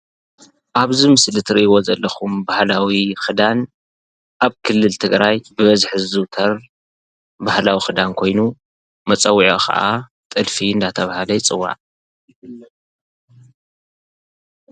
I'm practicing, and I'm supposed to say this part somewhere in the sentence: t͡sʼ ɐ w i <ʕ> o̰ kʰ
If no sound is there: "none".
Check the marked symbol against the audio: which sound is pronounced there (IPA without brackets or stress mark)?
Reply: ʕ